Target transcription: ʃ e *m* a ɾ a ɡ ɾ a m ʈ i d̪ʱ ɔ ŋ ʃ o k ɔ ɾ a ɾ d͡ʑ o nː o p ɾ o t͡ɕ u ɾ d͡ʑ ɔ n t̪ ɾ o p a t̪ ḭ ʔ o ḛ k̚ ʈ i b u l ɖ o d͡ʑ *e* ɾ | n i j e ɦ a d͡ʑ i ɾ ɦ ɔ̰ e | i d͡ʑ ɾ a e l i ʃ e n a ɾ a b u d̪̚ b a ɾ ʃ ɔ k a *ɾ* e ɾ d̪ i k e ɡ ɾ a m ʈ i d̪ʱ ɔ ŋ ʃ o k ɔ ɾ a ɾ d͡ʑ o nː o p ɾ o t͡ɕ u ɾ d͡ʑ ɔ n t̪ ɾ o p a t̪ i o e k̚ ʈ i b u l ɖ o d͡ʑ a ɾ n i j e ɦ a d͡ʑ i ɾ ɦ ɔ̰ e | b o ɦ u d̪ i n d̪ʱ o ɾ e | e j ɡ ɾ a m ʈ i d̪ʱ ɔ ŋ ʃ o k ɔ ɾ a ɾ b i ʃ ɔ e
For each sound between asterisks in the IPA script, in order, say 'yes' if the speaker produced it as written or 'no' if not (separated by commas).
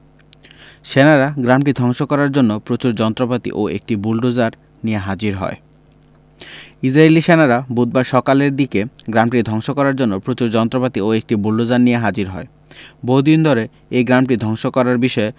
no, no, no